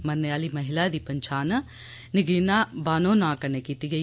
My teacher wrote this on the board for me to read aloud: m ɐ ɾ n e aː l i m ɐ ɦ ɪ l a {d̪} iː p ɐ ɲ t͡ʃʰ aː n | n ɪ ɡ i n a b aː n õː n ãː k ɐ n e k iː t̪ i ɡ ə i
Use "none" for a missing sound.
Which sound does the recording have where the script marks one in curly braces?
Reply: d̪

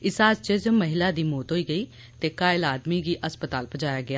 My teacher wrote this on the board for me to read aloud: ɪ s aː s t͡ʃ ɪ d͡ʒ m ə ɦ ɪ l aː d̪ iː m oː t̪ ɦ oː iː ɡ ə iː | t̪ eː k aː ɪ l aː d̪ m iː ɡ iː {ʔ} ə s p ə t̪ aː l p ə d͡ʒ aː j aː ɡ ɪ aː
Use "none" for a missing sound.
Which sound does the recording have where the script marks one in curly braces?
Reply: ʔ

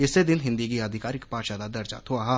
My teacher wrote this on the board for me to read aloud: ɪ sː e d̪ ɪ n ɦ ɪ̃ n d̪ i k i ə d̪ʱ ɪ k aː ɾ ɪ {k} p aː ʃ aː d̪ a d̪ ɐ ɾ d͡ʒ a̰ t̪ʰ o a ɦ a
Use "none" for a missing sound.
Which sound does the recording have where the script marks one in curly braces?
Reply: k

